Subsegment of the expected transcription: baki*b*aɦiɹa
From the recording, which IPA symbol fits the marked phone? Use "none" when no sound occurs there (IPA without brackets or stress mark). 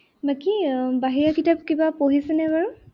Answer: b